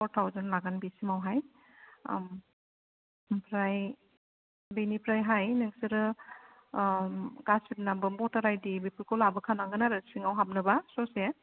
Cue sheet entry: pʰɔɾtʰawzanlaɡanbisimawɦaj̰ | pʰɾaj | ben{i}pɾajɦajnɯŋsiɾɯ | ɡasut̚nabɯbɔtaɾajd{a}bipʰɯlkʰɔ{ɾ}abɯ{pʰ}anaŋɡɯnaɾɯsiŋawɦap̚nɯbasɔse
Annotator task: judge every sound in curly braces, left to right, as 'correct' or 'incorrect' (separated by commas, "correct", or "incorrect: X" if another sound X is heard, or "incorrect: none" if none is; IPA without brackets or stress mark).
correct, incorrect: i, incorrect: l, incorrect: kʰ